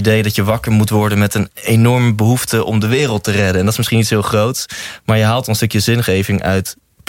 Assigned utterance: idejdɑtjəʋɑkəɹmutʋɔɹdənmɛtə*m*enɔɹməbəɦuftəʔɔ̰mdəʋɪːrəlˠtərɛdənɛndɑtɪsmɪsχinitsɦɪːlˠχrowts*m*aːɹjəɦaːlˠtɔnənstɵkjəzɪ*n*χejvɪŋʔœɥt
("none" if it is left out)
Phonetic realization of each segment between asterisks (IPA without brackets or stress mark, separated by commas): n, m, n